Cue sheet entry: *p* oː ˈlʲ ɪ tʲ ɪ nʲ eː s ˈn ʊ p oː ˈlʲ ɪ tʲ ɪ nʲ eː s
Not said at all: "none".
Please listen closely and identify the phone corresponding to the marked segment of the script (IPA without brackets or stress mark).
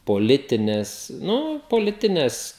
p